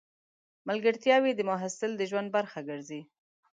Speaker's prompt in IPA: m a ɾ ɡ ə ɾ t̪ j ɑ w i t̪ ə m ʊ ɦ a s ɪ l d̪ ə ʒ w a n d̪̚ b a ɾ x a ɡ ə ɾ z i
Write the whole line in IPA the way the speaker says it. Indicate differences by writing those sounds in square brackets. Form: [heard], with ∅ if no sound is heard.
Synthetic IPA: m a [l] ɡ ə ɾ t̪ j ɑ w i [d̪] ə m ʊ ɦ a s ɪ l d̪ ə ʒ w a n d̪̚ b a ɾ x a ɡ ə ɾ z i